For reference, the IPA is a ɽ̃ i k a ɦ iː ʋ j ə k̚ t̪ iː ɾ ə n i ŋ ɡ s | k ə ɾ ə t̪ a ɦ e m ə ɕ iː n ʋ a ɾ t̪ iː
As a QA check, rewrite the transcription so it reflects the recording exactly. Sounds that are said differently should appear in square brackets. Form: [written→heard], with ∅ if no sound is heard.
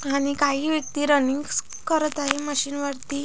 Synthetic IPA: a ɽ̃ i k a ɦ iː ʋ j ə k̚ t̪ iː ɾ ə n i ŋ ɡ s | k ə ɾ ə t̪ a ɦ e m ə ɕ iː n ʋ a ɾ t̪ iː